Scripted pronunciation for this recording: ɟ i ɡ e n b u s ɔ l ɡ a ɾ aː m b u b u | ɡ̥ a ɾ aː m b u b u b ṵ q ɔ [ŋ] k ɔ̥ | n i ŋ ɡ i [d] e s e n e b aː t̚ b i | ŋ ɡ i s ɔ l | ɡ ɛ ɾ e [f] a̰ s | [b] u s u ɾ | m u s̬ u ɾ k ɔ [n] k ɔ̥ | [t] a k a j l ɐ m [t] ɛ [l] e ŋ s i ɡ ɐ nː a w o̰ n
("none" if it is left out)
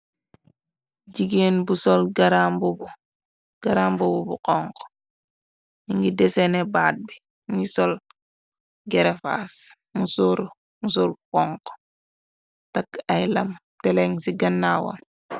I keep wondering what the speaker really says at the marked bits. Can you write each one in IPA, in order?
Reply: ŋ, d, f, m, ŋ, t, t, l

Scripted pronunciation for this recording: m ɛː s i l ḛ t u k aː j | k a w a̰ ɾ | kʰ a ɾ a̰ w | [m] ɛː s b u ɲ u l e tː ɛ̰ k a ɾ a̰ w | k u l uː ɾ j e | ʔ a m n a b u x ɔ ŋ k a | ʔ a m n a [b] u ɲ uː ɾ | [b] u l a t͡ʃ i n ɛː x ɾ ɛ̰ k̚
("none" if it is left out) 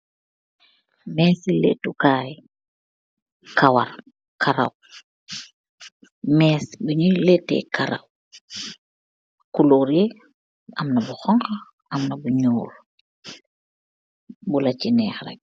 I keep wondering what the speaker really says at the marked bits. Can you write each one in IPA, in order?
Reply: m, b, b

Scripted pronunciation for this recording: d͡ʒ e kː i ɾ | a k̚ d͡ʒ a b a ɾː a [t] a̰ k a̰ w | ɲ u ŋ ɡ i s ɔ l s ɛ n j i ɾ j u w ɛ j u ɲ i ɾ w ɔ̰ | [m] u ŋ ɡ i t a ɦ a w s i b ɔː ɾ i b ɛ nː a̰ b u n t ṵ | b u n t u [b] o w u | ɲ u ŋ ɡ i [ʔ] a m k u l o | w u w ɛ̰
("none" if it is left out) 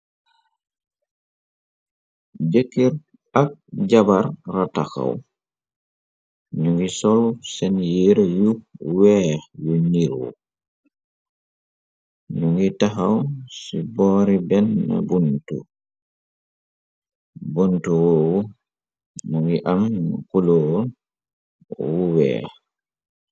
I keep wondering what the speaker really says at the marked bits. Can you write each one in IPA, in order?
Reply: t, ɲ, w, ʔ

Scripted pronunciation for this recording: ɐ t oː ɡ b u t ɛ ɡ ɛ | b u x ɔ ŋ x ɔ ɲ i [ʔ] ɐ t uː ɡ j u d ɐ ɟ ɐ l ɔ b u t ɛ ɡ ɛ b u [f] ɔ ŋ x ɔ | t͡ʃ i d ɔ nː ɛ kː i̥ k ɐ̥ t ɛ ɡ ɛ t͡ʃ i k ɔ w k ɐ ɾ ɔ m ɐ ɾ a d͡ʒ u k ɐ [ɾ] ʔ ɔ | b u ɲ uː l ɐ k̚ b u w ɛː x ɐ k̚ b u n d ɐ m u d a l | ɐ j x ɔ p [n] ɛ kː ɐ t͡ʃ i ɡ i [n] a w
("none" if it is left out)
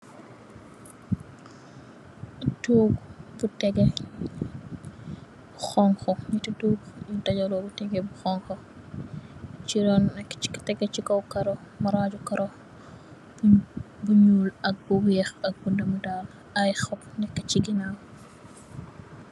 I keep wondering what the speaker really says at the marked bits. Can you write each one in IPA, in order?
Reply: t, x, ɾ, n, n

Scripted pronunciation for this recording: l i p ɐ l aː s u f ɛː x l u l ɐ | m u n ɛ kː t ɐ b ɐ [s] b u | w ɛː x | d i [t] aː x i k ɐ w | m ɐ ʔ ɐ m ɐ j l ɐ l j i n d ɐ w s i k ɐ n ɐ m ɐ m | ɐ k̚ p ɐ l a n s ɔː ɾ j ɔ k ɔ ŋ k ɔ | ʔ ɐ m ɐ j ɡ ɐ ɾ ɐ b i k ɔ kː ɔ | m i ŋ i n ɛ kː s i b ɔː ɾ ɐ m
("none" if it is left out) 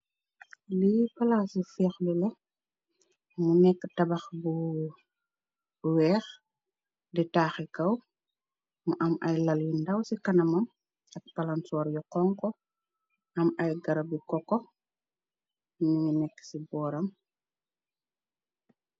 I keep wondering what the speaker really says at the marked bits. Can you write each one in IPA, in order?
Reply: x, t

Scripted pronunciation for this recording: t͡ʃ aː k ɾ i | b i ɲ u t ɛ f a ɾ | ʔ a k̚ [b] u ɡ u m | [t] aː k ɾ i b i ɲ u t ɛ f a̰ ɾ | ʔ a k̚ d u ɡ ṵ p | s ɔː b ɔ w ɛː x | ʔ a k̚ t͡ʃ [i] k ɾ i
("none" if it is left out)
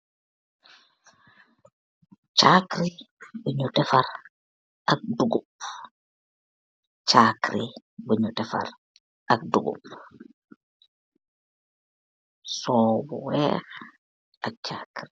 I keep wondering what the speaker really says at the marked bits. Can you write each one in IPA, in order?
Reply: d, t͡ʃ, a

